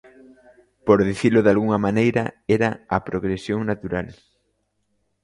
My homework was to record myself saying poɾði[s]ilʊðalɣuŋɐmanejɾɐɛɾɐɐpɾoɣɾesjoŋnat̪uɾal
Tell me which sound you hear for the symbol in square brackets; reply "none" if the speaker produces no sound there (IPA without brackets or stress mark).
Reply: θ